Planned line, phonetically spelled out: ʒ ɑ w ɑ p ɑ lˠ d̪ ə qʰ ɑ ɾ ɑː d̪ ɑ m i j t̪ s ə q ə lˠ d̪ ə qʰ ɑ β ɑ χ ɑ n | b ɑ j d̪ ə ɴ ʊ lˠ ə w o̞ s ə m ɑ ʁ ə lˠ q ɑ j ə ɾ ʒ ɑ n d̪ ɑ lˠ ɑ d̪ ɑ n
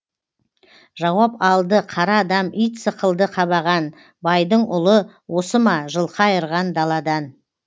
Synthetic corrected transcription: ʒ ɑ w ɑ p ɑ lˠ d̪ ə qʰ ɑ ɾ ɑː d̪ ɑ m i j t̪ s ə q ə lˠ d̪ ə qʰ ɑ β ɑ ʁ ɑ n | b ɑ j d̪ ə ɴ ʊ lˠ ə w o̞ s ə m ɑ ʒ ə lˠ q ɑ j ə ɾ ʁ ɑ n d̪ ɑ lˠ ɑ d̪ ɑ n